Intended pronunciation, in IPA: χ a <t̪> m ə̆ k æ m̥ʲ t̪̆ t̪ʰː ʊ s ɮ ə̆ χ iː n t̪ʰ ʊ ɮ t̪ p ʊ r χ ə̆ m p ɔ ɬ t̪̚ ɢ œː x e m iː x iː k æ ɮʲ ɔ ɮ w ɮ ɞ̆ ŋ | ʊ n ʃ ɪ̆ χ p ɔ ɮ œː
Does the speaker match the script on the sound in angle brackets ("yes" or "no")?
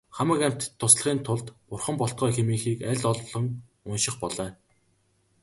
no